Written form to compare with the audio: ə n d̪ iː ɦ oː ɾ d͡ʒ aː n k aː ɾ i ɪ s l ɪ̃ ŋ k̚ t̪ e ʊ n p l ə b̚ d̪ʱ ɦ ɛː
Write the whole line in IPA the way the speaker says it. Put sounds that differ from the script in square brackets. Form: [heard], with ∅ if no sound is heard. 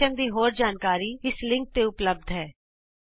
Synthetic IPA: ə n d̪ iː ɦ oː ɾ d͡ʒ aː n k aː ɾ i ɪ s l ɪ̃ ŋ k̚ t̪ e ʊ [∅] p l ə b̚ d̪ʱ ɦ ɛː

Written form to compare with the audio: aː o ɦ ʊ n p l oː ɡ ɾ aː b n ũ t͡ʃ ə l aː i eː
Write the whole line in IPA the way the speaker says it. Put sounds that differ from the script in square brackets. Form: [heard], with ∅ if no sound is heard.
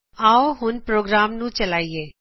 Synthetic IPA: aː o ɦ ʊ n p [ɾ] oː ɡ ɾ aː [m] n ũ t͡ʃ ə l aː i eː

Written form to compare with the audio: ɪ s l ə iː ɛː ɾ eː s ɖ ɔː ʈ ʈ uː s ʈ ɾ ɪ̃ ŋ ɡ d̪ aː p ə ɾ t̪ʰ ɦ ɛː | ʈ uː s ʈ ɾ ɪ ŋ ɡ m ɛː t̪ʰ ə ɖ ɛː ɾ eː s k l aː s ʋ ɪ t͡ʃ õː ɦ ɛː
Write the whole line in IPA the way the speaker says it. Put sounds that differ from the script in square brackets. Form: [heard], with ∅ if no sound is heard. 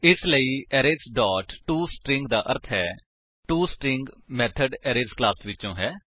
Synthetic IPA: ɪ s l ə iː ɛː ɾ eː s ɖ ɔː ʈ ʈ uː s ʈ ɾ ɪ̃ ŋ ɡ d̪ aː [ʔ] ə ɾ t̪ʰ ɦ ɛː | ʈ uː s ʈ ɾ ɪ ŋ ɡ m ɛː t̪ʰ ə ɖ ɛː ɾ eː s k l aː s ʋ ɪ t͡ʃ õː ɦ ɛː

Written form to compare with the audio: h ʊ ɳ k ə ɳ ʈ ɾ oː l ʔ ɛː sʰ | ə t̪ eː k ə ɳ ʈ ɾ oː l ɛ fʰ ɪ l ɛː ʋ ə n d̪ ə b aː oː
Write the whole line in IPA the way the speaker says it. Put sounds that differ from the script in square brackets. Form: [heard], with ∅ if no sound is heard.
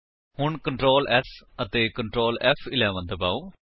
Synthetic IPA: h ʊ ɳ k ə ɳ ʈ ɾ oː l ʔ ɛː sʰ | ə t̪ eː k ə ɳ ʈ ɾ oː l ɛ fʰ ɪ l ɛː ʋ ə n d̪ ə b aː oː

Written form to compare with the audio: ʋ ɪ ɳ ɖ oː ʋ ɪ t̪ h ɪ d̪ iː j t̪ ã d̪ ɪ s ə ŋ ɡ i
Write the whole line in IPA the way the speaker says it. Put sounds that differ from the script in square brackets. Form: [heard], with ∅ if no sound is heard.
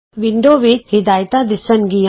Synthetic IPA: ʋ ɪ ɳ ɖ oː ʋ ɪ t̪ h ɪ d̪ [aː] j t̪ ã d̪ ɪ s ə [n] ɡ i

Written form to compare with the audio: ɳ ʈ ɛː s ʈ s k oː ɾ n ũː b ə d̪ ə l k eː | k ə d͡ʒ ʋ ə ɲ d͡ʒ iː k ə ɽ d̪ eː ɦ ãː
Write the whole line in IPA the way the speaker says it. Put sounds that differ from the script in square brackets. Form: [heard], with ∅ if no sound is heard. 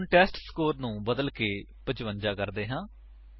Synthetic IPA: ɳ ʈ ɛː s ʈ s k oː ɾ n ũː b ə d̪ ə l k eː | [p] ə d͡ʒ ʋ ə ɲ d͡ʒ [aː] k ə [ɾ] d̪ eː ɦ ãː

